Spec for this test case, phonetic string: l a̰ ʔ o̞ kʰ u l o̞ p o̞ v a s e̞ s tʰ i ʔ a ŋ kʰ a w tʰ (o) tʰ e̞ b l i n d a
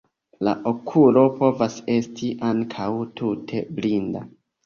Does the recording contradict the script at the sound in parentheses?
yes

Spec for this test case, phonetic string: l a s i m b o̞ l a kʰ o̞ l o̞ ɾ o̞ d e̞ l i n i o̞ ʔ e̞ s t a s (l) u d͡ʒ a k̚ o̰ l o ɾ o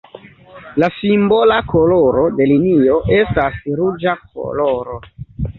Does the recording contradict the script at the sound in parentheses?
yes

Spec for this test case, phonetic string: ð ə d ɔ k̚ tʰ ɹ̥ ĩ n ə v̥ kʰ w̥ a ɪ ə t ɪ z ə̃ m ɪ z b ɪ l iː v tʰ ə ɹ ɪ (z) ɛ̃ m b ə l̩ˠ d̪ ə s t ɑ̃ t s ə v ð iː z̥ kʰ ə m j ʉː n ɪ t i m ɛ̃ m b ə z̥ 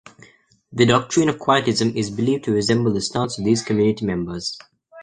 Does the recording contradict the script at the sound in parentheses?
no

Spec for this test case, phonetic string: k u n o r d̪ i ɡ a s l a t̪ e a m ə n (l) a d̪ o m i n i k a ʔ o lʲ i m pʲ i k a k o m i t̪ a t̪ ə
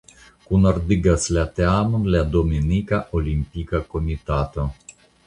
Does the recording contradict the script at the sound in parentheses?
no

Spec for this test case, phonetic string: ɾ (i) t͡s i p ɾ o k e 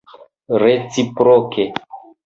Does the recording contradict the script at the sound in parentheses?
yes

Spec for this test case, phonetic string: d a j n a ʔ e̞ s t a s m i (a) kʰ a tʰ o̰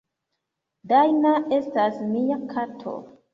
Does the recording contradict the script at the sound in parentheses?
no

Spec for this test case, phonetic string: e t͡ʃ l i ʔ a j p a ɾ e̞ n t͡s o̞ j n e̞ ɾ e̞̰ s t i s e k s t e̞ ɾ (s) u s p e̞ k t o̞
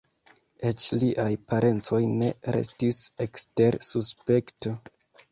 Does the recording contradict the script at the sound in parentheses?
no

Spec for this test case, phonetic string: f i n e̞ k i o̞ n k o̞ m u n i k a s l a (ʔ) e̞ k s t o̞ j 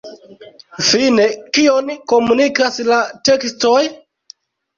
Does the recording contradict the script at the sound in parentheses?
yes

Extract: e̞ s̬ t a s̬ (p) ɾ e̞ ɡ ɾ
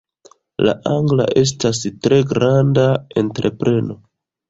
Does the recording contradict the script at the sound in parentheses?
yes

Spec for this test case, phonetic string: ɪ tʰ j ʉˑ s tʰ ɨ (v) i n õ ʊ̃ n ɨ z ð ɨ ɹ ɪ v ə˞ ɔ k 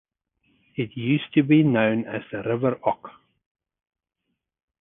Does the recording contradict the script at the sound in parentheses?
yes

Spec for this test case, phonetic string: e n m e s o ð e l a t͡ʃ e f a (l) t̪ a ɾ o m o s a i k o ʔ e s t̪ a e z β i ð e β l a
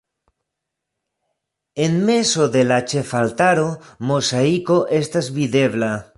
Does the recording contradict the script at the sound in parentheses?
no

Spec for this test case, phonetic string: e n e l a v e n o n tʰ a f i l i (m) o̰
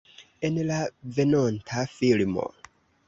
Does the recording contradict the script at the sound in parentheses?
no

